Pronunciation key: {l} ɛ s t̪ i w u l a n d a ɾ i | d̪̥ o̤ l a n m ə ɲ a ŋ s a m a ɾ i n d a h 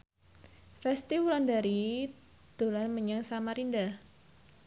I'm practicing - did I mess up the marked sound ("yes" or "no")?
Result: yes